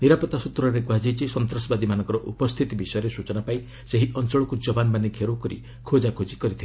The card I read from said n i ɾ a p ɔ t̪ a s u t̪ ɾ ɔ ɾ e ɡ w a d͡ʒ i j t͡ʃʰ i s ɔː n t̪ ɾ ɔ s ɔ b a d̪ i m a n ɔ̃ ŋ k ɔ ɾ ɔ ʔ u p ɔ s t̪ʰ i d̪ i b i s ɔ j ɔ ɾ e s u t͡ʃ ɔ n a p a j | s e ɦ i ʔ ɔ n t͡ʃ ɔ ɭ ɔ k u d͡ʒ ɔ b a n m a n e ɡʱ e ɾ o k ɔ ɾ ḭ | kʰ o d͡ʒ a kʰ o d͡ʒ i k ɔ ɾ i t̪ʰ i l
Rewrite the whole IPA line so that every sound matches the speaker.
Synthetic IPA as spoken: n i ɾ a p ɔ t̪ a s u t̪ ɾ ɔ ɾ e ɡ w a d͡ʒ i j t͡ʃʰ i s ɔ n t̪ ɾ ɔ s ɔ b a d̪ i m a n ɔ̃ ŋ k ɔ ɾ ɔ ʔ u p ɔ s t̪ʰ i t̪ i b i s ɔ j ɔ ɾ e s u t͡ʃ ɔ n a p a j | s e ɦ i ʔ ɔ n t͡ʃ ɔ ɭ ɔ k u d͡ʒ ɔ b a n m a n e ɡʱ e ɾ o k ɔ ɾ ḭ | kʰ o d͡ʒ a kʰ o d͡ʒ i k ɔ ɾ i t̪ʰ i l

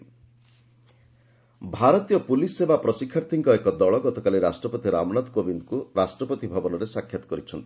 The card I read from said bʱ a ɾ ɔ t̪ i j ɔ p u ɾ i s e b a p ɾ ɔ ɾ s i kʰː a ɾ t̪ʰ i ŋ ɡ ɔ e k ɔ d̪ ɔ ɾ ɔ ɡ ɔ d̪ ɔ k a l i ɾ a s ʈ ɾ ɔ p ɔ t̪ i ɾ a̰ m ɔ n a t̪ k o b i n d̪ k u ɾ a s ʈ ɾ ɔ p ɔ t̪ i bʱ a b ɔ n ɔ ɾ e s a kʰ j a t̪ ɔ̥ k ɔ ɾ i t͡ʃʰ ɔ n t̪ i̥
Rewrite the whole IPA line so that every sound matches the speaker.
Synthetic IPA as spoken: bʱ a ɾ ɔ t̪ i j ɔ p u l i s e b a p ɾ ɔ s i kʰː a ɾ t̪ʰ i ŋ k ɔ e k ɔ d̪ ɔ ɭ ɔ ɡ ɔ t̪ ɔ k a l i ɾ a s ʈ ɾ ɔ p ɔ t̪ i ɾ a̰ m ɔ n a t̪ k o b i n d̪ k u ɾ a s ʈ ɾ ɔ p ɔ t̪ i bʱ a b ɔ n ɔ ɾ e s a kʰ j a t̪ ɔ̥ k ɔ ɾ i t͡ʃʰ ɔ n t̪ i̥

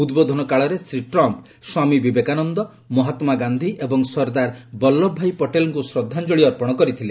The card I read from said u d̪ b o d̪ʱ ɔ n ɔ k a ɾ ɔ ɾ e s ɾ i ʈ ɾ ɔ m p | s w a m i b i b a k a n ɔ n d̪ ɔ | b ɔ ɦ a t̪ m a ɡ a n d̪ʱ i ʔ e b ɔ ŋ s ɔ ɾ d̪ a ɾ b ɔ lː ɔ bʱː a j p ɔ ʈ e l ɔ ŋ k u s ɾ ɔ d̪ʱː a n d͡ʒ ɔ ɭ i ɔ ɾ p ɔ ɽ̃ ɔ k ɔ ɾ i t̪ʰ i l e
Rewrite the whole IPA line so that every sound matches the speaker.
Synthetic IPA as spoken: u d̪ b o d̪ʱ ɔ n ɔ k a ɭ ɔ ɾ e s ɾ i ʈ ɾ ɔ m p | s w a m i b i b e k a n ɔ n d̪ ɔ | m ɔ ɦ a t̪ m a ɡ a n d̪ʱ i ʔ e b ɔ ŋ s ɔ ɾ d̪ a ɾ b ɔ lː ɔ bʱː a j p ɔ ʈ e l ɔ ŋ k u s ɾ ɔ d̪ʱː a n d͡ʒ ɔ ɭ i ɔ ɾ p ɔ ɽ̃ ɔ k ɔ ɾ i t̪ʰ i l e

